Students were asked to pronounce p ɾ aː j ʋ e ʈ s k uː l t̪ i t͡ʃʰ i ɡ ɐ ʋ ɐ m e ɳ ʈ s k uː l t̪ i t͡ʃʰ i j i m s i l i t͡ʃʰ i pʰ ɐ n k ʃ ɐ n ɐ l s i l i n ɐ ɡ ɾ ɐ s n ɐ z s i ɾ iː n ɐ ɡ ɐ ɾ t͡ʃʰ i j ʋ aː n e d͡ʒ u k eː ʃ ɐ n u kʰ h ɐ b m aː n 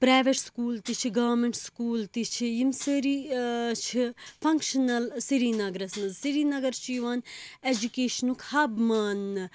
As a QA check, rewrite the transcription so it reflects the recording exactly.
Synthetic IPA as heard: p ɾ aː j ʋ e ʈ s k uː l t̪ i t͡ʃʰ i ɡ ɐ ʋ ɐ m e ɳ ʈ s k uː l t̪ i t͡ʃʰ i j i m s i ɾ i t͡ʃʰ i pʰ ɐ ŋ k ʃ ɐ n ɐ l s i ɾ i n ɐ ɡ ɾ ɐ s n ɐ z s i ɾ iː n ɐ ɡ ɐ ɾ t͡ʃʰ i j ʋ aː n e d͡ʒ u k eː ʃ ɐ n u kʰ h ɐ b m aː n